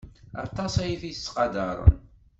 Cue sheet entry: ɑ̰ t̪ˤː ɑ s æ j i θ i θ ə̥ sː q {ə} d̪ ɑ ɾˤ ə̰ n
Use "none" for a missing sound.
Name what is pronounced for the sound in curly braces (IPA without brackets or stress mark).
ɑ